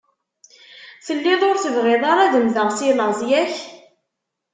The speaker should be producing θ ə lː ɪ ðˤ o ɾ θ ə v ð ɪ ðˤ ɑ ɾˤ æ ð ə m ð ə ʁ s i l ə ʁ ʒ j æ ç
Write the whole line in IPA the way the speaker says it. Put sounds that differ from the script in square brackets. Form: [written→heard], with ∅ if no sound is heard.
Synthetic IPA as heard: θ ə lː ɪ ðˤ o ɾ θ ə v [ð→ʁ] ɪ ðˤ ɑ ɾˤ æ ð ə m ð ə ʁ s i l ə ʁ [ʒ→z] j æ ç

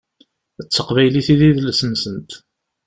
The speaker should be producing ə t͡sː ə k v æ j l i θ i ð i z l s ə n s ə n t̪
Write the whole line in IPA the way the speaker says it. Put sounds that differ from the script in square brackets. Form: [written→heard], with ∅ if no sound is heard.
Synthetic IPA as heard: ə t͡sː ə [k→q] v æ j l i θ i ð i [z→ð] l s ə n s ə n t̪

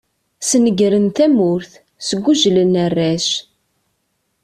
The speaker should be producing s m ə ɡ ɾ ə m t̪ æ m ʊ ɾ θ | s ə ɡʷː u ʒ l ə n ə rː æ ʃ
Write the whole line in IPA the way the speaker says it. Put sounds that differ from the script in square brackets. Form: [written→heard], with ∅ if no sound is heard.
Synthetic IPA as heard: s [m→n] ə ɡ ɾ ə [m→n] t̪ æ m ʊ ɾ θ | s ə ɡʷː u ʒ l ə n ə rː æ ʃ

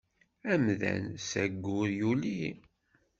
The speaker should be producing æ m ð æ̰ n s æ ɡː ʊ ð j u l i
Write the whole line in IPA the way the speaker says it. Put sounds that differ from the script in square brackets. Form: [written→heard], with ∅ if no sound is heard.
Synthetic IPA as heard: æ m ð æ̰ n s æ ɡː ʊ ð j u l i

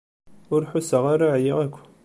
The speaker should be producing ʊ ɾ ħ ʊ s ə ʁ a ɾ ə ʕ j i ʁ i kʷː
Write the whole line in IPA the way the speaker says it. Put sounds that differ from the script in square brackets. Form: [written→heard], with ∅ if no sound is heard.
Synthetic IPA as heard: ʊ ɾ ħ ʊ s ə ʁ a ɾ [ə→a] ʕ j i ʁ [i→æ] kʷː

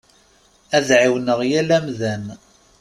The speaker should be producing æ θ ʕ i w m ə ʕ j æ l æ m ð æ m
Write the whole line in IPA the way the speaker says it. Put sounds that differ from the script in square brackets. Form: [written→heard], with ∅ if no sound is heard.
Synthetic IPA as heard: æ [θ→ð] ʕ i w [m→n] ə [ʕ→ʁ] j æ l æ m ð æ [m→n]

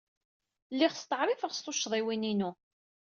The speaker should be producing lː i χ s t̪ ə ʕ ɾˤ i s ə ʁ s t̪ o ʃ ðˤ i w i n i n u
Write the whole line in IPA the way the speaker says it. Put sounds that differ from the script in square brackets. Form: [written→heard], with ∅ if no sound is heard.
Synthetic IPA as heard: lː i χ s t̪ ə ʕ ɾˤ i [s→f] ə ʁ s t̪ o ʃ ðˤ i w i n i n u

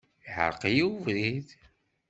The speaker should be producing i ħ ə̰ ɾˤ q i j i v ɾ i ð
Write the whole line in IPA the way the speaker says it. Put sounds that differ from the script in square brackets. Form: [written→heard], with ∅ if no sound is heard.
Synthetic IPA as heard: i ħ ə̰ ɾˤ q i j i v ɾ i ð

